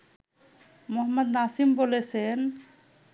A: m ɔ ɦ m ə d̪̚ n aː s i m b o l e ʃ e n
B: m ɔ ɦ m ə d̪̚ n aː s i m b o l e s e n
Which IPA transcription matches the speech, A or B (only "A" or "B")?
B